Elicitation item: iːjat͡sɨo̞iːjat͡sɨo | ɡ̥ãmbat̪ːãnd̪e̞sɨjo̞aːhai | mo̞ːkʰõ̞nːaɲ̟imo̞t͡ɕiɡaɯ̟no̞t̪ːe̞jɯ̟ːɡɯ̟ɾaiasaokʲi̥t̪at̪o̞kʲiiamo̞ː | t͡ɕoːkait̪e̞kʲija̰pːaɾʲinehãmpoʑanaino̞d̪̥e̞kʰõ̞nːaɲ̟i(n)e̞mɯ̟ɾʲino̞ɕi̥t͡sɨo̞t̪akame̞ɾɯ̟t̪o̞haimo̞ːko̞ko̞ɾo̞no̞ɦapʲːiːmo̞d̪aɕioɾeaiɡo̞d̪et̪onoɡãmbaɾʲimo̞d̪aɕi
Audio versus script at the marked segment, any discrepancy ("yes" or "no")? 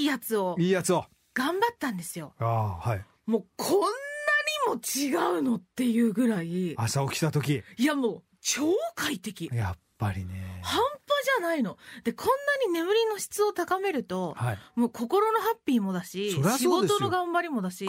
no